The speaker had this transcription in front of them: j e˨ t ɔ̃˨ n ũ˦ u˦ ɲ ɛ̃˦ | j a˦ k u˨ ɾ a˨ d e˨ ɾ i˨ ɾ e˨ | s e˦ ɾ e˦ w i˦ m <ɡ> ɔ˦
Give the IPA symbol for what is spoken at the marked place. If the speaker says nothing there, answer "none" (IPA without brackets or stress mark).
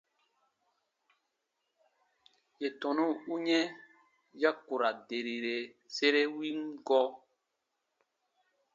ɡ